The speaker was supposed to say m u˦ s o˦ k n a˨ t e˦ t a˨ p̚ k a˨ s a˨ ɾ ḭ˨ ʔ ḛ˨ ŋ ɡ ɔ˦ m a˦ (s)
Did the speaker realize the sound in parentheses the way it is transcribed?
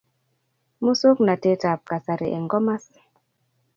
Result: yes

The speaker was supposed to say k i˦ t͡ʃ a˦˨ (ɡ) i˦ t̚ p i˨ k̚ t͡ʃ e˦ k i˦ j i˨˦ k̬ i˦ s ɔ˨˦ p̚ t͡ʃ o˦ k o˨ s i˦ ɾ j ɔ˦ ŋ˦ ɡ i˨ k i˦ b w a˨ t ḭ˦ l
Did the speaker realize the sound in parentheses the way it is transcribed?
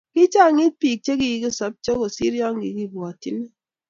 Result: no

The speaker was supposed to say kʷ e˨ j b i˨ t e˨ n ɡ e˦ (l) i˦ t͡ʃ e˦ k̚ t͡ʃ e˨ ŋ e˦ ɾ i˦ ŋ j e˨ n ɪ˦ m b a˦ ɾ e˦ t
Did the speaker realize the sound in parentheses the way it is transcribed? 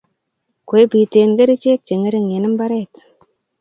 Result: no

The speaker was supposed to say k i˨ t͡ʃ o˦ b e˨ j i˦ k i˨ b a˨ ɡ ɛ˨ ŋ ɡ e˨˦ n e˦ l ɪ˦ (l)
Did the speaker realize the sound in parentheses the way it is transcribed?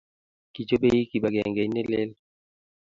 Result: yes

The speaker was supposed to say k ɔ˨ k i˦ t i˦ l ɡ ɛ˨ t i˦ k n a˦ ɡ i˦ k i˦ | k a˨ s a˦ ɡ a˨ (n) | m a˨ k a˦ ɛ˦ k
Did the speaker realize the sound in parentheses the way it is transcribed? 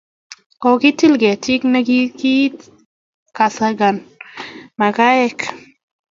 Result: yes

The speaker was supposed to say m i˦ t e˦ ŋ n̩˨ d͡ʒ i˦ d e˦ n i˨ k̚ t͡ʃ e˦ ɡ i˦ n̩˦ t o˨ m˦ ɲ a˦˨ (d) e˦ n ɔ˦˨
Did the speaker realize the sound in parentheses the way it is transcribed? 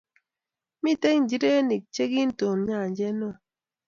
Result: no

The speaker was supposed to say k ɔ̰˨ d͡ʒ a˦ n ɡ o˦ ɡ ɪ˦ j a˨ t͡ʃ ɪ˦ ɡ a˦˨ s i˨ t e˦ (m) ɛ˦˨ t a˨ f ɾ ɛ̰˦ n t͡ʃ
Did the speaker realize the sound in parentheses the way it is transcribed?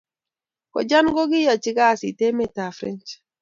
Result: yes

